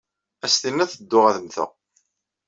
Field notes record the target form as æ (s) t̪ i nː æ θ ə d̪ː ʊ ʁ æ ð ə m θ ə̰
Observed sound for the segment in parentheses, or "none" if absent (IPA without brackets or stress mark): s